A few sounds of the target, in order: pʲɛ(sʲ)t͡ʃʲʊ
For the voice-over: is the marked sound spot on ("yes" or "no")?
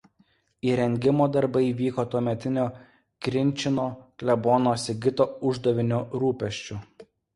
no